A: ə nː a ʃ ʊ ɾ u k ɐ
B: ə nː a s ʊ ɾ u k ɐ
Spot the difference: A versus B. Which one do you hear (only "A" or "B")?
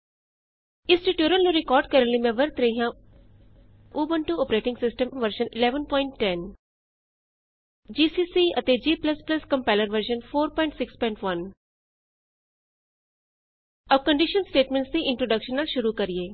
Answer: A